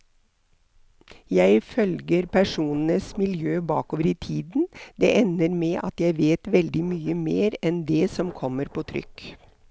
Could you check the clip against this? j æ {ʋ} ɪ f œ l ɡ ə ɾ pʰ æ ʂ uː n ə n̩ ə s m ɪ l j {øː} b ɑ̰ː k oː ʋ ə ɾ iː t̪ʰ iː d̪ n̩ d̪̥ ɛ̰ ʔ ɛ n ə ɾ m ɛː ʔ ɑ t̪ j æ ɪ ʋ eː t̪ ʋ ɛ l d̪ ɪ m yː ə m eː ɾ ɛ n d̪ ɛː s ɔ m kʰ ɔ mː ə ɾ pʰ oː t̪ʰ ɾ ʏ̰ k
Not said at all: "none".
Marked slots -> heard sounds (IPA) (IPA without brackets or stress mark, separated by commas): none, øː